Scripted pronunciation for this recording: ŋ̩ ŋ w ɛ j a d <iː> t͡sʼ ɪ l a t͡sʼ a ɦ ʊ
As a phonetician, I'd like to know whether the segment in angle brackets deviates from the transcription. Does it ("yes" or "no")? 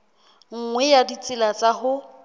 yes